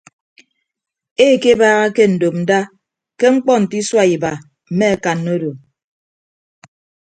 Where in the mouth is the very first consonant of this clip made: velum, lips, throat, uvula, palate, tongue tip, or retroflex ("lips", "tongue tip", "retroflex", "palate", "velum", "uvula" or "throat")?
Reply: velum